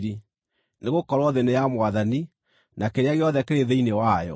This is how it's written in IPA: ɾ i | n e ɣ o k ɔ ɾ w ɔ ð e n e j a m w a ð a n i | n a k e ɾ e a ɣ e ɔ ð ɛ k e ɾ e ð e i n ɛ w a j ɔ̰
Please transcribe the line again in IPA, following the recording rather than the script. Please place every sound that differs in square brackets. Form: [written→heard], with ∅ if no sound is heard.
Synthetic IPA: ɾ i | n e ɣ o k ɔ ɾ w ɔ ð e n e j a m w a ð a n i | n a k e ɾ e a ɣ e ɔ ð ɛ k e ɾ e ð e i n [ɛ→e] w a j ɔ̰

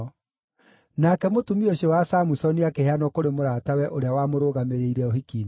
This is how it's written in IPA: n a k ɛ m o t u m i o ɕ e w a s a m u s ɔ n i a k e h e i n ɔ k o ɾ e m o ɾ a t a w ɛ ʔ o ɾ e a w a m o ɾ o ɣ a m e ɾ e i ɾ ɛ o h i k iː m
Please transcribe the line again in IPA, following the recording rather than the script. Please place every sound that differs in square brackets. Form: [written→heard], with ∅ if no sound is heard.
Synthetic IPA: n a k ɛ m o t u m i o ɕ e w a s a m u s ɔ n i a k e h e [i→a] n ɔ k o ɾ e m o ɾ a t a w ɛ ʔ o ɾ e a w a m o ɾ o ɣ a m e ɾ e i ɾ ɛ o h i k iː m

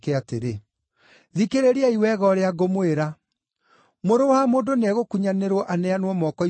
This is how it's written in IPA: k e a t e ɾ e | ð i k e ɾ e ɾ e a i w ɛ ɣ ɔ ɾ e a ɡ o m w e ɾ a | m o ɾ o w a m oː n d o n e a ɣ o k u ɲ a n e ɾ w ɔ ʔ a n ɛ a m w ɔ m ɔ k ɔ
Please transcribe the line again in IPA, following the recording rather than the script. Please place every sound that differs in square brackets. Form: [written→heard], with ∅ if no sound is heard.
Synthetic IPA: k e a t e ɾ e | ð i k e ɾ e ɾ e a i w ɛ ɣ ɔ ɾ e a ɡ o m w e ɾ a | m o ɾ o w a m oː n d o n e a ɣ o k u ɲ a n e ɾ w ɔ ʔ a n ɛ a [m→n] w ɔ m ɔ k ɔ

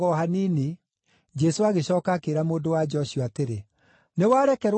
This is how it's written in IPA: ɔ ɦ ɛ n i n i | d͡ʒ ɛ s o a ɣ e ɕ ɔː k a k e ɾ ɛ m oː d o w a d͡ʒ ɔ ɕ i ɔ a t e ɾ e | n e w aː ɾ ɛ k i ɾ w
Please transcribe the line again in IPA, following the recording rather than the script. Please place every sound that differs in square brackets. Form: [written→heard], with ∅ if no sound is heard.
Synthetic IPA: ɔ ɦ [ɛ→a] n i n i | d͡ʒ ɛ s o a ɣ e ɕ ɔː k a k e ɾ [ɛ→a] m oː d o w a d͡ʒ ɔ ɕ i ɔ a t e ɾ e | n e w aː ɾ ɛ k [i→ɛ] ɾ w

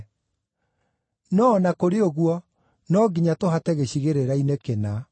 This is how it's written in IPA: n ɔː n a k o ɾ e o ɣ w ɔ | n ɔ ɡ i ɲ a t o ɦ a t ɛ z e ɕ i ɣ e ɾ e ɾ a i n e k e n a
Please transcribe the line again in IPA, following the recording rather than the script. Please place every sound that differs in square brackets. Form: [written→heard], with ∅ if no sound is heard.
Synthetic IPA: n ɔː n a k o ɾ e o ɣ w ɔ | n ɔ ɡ i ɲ a t o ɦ a t ɛ [z→ɣ] e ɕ i ɣ e ɾ e ɾ a i n e k e n a

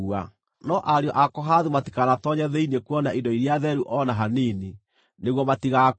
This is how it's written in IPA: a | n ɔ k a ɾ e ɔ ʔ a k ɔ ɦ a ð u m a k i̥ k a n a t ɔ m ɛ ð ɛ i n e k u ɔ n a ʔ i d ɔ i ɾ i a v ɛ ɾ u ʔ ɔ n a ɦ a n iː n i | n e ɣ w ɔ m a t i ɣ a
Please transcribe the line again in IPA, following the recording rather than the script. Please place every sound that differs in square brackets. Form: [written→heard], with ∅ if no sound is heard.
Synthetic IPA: a | n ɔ [k→ʔ] a ɾ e ɔ ʔ a k ɔ ɦ a ð u m a [k→t] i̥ k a n a t ɔ [m→ɲ] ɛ ð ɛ i n e k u ɔ n a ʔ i d ɔ i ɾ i a [v→ð] ɛ ɾ u ʔ ɔ n a ɦ a n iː n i | n e ɣ w ɔ m a t i ɣ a

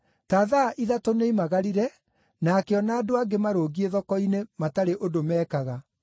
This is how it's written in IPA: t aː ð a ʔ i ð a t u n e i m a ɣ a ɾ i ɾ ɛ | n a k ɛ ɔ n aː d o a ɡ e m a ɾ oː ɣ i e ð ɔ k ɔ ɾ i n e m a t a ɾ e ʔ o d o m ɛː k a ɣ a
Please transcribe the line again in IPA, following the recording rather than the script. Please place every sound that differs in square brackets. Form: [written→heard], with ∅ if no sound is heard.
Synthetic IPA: t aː ð a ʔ i ð a t [u→o] n e i m a ɣ a ɾ i ɾ ɛ | n a k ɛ ɔ n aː d o a ɡ e m a ɾ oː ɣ i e ð ɔ k ɔ [ɾ→∅] i n e m a t a ɾ e ʔ o d o m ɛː k a ɣ a

